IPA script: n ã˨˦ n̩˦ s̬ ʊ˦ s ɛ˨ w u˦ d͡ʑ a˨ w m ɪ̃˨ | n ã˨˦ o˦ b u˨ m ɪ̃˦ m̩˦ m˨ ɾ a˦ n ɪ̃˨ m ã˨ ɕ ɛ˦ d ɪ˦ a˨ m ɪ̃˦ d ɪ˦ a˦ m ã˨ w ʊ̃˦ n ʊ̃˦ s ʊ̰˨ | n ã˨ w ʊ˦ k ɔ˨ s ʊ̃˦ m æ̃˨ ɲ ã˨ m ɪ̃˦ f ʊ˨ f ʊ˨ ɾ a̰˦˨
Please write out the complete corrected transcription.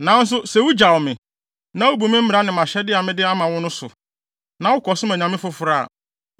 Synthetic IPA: n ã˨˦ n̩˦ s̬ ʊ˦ s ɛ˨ w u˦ d͡ʑ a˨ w m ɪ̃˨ | n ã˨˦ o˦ b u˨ m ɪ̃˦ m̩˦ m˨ ɾ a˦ n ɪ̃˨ m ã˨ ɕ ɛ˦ d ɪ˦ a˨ m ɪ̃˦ d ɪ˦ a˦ m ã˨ w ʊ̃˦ n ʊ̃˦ s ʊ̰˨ | n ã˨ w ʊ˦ k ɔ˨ s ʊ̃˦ m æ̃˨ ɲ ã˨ m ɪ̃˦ f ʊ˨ f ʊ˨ ɾ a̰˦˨